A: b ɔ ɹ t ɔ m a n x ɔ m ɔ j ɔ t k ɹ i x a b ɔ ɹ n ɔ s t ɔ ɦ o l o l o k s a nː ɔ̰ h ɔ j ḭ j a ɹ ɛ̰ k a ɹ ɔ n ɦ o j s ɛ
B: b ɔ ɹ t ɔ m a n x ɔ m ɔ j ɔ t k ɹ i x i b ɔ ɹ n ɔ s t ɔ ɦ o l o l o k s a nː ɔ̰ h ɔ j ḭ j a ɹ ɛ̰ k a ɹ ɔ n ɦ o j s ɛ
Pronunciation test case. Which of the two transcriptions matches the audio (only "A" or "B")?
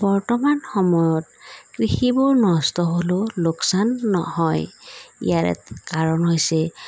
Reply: B